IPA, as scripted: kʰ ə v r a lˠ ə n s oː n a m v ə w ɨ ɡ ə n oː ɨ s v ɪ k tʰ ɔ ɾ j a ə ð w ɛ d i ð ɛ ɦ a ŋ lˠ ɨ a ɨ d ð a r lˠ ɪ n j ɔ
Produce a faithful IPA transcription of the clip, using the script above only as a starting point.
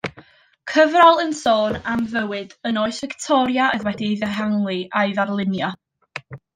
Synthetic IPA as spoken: kʰ ə v r a lˠ ə n s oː n a m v ə w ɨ d ə n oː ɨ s v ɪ k tʰ ɔ ɾ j a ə ð w ɛ d i ð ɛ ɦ a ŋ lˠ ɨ a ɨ ð a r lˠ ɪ n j ɔ